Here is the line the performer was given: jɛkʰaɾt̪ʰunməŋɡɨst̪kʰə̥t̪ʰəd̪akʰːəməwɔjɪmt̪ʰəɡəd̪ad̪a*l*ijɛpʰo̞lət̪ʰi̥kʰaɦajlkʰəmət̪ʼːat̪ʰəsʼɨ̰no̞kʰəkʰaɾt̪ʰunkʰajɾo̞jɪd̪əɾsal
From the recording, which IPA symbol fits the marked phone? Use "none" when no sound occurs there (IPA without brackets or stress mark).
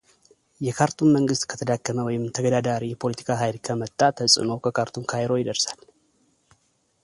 ɾ